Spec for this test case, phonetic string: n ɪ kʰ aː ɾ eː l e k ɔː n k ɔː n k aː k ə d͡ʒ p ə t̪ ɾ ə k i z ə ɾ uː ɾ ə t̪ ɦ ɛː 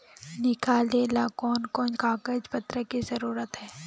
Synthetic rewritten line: n ɪ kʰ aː l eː l a k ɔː n k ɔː n k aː k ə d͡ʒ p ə t̪ ɾ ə k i z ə ɾ uː ɾ ə t̪ ɦ ɛː